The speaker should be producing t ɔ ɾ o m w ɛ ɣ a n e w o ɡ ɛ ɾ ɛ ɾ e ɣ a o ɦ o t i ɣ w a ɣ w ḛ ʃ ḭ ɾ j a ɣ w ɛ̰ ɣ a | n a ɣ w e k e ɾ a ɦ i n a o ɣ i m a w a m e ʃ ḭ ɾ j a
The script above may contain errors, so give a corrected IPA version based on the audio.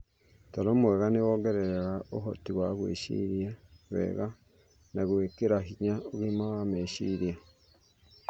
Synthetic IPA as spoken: t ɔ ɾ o m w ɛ ɣ a n e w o ɡ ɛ ɾ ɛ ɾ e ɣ a o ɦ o t i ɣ w a ɣ w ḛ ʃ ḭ ɾ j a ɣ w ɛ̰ ɣ a | n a ɣ w e k e ɾ a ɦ i ɲ a o ɣ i m a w a m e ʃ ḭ ɾ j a